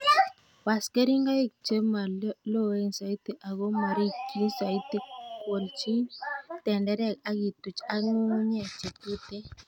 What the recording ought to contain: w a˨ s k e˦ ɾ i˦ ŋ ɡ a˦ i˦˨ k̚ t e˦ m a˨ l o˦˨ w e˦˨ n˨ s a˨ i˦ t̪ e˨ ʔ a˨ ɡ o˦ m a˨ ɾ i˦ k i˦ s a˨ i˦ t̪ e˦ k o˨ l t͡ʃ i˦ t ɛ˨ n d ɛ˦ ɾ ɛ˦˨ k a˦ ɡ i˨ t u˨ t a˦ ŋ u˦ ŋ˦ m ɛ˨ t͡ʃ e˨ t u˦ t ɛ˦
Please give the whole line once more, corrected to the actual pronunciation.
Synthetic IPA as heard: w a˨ s k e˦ ɾ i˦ ŋ ɡ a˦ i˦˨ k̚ t͡ʃ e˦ m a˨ l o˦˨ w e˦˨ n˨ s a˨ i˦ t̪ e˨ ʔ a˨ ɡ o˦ m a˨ ɾ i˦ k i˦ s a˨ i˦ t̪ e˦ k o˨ l t͡ʃ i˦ t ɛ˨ n d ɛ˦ ɾ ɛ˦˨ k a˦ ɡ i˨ t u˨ t͡ʃ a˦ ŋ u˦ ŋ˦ ɲ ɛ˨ t͡ʃ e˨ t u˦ t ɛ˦